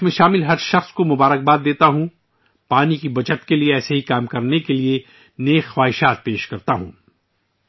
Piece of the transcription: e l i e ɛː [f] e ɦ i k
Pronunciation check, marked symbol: incorrect: s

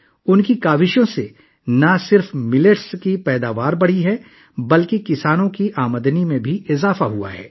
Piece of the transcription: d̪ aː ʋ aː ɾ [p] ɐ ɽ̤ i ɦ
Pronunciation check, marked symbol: incorrect: b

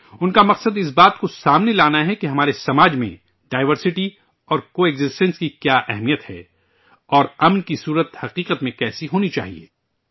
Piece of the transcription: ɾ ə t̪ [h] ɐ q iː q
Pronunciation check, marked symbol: correct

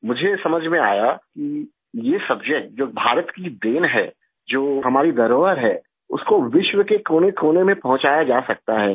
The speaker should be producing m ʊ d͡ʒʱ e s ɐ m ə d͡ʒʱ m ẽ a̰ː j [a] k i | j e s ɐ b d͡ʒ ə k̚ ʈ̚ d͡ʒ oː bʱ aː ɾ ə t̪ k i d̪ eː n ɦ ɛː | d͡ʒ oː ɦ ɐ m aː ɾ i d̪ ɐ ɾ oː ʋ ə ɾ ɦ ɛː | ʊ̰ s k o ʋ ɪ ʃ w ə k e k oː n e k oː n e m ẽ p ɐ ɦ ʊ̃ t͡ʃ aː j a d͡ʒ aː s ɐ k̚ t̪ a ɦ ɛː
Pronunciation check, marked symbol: correct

